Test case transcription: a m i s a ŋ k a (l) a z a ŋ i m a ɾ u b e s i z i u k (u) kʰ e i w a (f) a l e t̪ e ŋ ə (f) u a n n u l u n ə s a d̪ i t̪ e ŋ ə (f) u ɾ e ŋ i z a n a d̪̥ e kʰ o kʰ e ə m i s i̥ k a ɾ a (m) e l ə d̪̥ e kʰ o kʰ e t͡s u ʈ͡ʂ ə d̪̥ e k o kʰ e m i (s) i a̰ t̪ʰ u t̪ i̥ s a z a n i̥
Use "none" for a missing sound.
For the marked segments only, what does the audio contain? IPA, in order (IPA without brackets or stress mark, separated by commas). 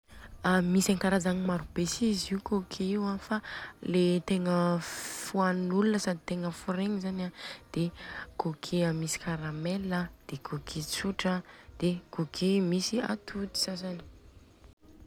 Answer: ɾ, o, f, f, f, m, s